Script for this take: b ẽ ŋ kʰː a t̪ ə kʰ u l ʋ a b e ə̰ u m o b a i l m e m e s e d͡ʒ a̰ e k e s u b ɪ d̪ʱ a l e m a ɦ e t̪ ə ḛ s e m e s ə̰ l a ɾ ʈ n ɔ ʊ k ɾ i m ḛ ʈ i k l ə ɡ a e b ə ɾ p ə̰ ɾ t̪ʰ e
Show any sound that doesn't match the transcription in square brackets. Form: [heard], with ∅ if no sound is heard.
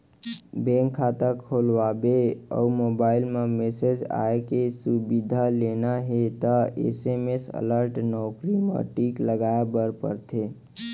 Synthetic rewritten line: b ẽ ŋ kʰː a t̪ ə kʰ [o] l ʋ a b e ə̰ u m o b a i l m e m e s e d͡ʒ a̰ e k e s u b [i] d̪ʱ a l e [n] a ɦ e t̪ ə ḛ s e m e s ə̰ l [ə] ɾ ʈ n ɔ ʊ k ɾ i m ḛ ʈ i k l ə ɡ a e b ə ɾ p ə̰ ɾ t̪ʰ e